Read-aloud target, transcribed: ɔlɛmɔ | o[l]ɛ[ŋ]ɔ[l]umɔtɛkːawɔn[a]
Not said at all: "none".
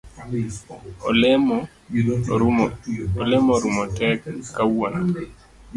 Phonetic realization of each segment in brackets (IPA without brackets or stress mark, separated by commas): l, m, ɾ, a